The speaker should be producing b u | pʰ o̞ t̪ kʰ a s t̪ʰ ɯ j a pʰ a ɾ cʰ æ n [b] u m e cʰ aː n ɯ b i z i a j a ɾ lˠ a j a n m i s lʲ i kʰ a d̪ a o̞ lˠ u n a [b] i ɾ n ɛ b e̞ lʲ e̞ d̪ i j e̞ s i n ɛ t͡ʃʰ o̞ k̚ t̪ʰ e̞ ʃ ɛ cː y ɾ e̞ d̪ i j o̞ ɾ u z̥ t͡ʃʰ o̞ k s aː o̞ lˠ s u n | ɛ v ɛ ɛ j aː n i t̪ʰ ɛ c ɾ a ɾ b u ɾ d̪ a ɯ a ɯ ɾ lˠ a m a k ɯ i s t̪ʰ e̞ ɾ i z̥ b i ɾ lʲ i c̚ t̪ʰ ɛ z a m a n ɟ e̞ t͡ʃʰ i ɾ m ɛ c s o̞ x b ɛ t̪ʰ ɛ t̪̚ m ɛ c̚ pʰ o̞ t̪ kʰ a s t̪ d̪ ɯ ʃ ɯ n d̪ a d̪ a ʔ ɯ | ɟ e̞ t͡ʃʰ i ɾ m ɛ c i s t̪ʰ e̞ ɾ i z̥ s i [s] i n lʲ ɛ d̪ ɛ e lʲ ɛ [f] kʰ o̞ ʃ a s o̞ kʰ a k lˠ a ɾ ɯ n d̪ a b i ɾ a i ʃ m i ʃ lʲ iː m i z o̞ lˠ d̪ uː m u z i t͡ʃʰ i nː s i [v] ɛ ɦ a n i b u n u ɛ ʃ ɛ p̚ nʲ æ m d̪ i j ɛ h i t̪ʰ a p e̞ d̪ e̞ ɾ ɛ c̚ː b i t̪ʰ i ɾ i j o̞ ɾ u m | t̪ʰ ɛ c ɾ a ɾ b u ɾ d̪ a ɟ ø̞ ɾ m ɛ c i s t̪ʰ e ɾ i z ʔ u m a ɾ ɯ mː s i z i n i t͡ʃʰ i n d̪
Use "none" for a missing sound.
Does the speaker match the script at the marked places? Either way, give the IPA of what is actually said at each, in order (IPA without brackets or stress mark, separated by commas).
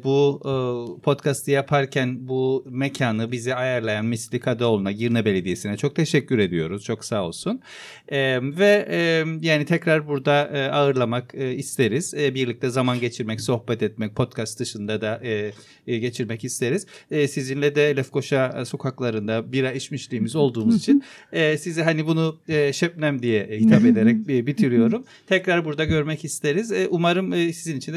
b, ɟ, z, f, z